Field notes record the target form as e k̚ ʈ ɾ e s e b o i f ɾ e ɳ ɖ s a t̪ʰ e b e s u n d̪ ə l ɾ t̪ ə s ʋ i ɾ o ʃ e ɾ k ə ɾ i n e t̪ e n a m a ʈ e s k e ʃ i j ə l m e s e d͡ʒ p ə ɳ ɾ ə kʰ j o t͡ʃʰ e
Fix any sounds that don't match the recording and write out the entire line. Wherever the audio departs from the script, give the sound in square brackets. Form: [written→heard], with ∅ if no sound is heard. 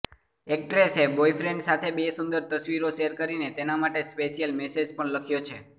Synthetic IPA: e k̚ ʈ ɾ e s e b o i f ɾ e ɳ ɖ s a t̪ʰ e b e s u n d̪ ə [l→∅] ɾ t̪ ə s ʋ i ɾ o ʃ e ɾ k ə ɾ i n e t̪ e n a m a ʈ e s [k→p] e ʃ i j ə l m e s e d͡ʒ p ə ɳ [ɾ→l] ə kʰ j o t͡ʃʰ e